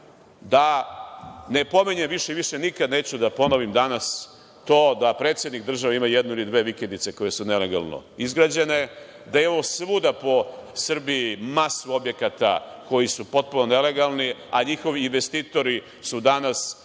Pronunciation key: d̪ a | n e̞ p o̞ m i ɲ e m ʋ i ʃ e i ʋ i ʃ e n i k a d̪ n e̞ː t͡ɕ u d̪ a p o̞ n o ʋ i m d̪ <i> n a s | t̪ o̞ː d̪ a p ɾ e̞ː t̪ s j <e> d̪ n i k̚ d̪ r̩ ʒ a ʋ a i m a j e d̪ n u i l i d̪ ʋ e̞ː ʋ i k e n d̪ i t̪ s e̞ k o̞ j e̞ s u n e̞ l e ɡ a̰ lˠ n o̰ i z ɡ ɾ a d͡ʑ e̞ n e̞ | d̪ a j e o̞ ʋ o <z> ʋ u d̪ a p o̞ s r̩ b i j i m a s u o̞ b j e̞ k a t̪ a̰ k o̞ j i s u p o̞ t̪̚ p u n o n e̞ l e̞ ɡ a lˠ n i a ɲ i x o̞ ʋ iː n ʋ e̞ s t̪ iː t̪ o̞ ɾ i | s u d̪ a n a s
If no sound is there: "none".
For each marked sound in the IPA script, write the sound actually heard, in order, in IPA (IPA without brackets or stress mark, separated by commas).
a, e, s